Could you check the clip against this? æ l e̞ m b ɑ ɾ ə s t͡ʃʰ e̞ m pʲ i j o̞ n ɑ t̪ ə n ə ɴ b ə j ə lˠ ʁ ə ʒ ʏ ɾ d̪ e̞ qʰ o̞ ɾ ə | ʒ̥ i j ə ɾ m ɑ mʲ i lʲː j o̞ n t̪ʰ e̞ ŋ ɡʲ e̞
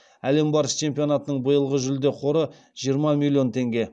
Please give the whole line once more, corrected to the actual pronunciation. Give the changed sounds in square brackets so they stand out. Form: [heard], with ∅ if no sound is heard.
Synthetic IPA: æ l e̞ m b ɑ ɾ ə s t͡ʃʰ e̞ m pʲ i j o̞ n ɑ t̪ ə n ə ɴ b ə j ə lˠ ʁ ə ʒ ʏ [l] d̪ e̞ qʰ o̞ ɾ ə | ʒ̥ i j ə ɾ m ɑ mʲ i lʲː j o̞ n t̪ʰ e̞ ŋ ɡʲ e̞